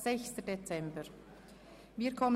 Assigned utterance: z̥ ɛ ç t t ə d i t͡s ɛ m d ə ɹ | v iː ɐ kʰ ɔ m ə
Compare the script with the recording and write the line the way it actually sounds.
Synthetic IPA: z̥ ɛ ç s t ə d e t͡s ɛ m b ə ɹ | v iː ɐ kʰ ɔ m ə

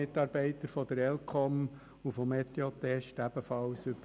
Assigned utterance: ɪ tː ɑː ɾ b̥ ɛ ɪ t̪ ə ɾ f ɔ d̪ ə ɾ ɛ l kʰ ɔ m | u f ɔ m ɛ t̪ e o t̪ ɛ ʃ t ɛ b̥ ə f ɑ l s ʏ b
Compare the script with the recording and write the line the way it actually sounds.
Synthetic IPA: ɪ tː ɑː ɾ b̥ ɛ ɪ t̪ ə ɾ f ɔ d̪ ə ɾ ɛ l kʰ ɔ m | u f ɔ m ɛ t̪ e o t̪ ɛ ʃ t æ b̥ ə f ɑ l s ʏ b

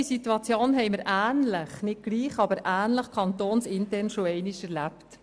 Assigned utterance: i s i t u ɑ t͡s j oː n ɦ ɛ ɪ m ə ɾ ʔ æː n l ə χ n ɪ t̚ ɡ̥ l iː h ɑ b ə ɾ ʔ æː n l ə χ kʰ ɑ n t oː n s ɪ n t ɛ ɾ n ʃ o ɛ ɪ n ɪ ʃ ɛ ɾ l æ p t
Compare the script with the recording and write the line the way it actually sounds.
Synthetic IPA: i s i t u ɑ t͡s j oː n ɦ ɛ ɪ m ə ɾ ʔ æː n l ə χ n ɪ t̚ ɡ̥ l iː χ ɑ b ə ɾ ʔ æː n l ə χ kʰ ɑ n t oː n s ɪ n t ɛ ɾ n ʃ o ɛ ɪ n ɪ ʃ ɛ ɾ l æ p t

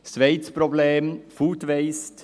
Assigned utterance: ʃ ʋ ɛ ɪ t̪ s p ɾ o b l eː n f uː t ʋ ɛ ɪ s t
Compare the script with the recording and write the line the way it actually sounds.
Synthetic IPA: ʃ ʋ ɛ ɪ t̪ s p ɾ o b l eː m f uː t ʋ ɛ ɪ s t

